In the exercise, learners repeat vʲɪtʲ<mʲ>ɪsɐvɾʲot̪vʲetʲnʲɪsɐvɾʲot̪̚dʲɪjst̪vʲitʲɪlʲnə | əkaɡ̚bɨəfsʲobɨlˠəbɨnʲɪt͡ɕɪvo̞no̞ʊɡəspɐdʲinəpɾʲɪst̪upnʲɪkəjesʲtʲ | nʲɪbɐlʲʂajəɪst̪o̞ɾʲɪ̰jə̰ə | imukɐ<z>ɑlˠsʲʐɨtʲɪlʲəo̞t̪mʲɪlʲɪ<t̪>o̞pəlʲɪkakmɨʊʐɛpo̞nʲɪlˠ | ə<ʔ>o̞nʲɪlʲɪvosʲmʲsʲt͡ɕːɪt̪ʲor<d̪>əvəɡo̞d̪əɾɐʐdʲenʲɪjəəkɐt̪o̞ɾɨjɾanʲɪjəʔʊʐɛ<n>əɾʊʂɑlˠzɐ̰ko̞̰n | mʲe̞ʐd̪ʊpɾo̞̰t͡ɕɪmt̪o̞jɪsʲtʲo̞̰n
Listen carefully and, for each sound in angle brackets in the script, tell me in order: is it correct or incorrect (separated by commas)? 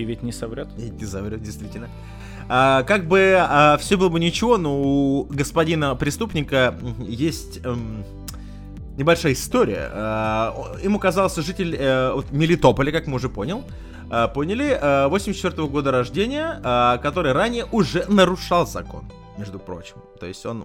incorrect, correct, correct, incorrect, incorrect, correct